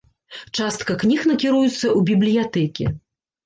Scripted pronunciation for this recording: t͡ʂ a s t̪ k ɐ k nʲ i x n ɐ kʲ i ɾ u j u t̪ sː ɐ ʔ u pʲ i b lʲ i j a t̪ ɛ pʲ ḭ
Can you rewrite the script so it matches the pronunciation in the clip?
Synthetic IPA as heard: t͡ʂ a s t̪ k ɐ k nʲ i x n ɐ kʲ i ɾ u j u t̪ sː ɐ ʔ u bʲ i b lʲ i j a t̪ ɛ kʲ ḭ